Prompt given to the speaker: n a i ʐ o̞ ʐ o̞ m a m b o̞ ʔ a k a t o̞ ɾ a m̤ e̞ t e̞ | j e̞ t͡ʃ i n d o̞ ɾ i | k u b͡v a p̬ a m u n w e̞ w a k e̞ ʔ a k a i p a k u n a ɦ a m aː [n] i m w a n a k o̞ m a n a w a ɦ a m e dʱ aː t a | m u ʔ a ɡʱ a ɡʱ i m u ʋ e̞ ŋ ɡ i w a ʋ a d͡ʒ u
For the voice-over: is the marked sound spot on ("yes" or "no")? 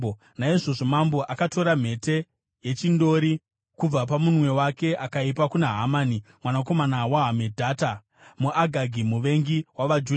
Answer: yes